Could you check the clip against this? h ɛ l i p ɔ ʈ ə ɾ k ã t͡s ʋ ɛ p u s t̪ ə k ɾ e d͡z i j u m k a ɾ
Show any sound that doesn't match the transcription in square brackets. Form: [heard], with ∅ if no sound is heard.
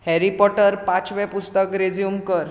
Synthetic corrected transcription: h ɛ [ɾ] i p ɔ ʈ ə ɾ [p] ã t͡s ʋ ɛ p u s t̪ ə k ɾ e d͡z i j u m k [ə] ɾ